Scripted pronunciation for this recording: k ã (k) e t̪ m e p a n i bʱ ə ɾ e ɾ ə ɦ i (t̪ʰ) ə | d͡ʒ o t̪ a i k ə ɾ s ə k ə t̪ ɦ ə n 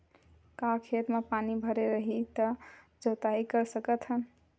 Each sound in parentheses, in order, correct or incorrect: incorrect: kʰ, incorrect: t̪

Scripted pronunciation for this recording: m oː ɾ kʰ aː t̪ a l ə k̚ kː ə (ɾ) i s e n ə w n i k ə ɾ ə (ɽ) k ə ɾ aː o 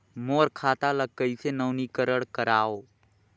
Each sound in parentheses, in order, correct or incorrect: incorrect: none, correct

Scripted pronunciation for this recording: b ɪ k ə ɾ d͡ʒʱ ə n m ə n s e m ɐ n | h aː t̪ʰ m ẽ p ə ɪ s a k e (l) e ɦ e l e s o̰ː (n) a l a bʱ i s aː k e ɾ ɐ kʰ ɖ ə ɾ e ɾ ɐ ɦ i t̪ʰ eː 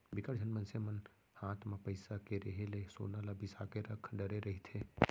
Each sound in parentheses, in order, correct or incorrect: incorrect: ɾ, correct

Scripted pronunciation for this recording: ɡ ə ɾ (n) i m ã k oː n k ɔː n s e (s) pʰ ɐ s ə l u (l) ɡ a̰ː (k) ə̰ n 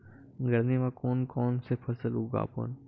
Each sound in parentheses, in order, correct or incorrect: correct, incorrect: none, incorrect: none, incorrect: p

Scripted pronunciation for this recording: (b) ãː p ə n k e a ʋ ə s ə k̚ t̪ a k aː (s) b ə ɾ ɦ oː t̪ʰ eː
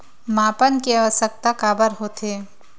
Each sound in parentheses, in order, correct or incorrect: incorrect: m, incorrect: none

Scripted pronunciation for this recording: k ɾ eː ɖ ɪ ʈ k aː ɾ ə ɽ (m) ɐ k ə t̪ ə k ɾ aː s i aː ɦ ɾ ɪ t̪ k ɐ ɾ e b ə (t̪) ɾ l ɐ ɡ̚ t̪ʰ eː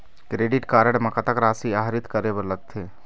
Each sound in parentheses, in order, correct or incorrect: correct, incorrect: none

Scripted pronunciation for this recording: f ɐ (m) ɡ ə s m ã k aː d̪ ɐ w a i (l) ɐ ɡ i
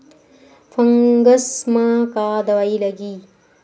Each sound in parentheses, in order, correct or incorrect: incorrect: ŋ, correct

